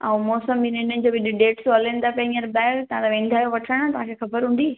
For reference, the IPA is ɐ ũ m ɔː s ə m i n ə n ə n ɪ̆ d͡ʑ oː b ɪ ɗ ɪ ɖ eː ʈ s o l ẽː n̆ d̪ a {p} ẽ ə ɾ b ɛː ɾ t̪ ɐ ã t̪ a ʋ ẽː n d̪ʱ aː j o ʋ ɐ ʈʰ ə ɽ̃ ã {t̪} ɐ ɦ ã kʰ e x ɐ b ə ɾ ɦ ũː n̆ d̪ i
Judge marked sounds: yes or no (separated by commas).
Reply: yes, yes